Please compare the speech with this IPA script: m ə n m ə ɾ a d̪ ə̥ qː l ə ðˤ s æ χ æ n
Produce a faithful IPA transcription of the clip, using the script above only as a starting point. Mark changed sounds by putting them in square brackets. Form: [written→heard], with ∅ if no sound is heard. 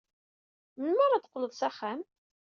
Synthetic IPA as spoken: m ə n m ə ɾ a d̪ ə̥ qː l ə ðˤ s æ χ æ [n→m]